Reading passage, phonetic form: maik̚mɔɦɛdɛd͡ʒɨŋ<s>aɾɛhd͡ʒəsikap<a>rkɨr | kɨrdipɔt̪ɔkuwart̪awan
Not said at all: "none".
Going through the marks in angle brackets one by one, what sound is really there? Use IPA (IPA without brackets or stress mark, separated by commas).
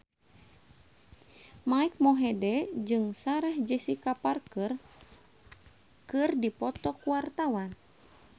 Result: s, a